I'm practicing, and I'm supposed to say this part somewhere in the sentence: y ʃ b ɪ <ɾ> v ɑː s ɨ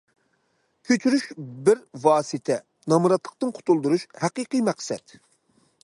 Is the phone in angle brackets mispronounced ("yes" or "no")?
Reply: no